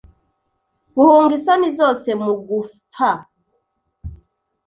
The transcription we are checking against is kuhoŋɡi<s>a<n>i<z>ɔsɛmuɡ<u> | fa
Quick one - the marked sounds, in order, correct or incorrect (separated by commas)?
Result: correct, correct, correct, correct